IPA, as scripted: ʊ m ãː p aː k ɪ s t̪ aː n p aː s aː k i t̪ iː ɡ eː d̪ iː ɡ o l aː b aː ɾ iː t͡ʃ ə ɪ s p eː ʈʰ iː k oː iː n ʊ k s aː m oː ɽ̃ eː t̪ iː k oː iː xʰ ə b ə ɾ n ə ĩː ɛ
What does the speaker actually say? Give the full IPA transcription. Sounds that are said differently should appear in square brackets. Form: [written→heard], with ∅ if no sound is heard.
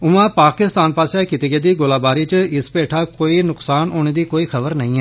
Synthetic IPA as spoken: ʊ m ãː p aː k ɪ s t̪ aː n p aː s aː k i t̪ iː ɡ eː d̪ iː ɡ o l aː b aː ɾ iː t͡ʃ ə ɪ s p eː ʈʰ [iː→aː] k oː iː n ʊ k s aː [m→n] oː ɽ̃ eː [t̪→d̪] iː k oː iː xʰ ə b ə ɾ n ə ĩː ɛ